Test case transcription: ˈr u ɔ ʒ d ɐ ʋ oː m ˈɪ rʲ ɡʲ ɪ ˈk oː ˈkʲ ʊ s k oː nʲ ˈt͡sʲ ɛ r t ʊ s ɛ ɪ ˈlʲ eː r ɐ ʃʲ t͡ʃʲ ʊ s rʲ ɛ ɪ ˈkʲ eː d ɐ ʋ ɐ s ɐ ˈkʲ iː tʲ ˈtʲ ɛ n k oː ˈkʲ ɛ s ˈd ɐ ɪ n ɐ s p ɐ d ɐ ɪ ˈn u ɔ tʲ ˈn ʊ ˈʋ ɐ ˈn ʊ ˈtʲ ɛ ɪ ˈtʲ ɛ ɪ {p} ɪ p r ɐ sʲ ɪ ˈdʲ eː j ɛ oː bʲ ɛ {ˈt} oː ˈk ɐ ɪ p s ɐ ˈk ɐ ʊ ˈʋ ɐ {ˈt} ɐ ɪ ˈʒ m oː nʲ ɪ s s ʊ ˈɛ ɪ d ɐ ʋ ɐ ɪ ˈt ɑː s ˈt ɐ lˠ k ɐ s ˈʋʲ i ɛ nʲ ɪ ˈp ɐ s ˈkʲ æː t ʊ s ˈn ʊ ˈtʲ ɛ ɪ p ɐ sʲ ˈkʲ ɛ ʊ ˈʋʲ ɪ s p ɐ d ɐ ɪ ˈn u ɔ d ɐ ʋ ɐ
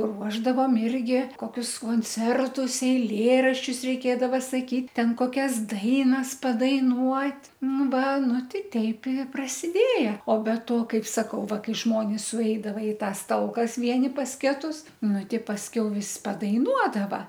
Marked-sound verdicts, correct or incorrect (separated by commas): correct, correct, incorrect